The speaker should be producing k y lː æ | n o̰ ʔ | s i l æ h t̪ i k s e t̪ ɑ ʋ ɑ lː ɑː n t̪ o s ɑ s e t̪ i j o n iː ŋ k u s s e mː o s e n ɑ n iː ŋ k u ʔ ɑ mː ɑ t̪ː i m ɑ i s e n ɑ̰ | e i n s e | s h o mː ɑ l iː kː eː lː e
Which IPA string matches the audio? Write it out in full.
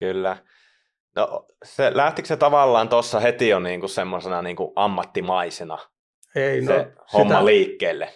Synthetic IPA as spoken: k y lː æ | n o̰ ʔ | s e l æ h t̪ i k s e t̪ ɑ ʋ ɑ lː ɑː n t̪ o sː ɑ h e t̪ i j o n iː ŋ k u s s e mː o s e n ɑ n iː ŋ k u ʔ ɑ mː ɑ t̪ː i m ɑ i s e n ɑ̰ | e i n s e | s h o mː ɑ l iː kː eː lː e